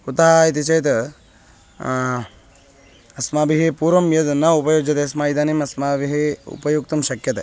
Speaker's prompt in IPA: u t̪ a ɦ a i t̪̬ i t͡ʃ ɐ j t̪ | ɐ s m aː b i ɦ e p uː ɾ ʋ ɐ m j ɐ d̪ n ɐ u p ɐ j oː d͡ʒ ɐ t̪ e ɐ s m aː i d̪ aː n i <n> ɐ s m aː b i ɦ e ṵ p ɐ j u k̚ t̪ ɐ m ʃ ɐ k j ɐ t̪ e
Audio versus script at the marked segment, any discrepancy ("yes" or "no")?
yes